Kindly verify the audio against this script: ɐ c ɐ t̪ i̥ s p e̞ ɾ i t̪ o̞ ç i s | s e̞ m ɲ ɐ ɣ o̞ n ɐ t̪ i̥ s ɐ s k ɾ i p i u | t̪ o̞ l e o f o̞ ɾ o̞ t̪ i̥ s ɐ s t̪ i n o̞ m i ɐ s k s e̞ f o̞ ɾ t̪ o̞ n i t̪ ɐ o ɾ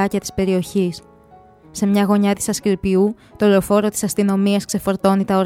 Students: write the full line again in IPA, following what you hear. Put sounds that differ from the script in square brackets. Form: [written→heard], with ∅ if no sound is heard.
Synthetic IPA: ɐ c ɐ t̪ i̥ s p e̞ ɾ i [t̪→∅] o̞ ç i s | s e̞ m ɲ ɐ ɣ o̞ [n→ɲ] ɐ t̪ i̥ s ɐ s k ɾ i p i u | t̪ o̞ l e o f o̞ ɾ o̞ t̪ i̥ s ɐ s t̪ i n o̞ m i ɐ s k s e̞ f o̞ ɾ t̪ o̞ n i t̪ ɐ o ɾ